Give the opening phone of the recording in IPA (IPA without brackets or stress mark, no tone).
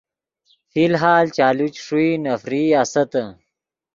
f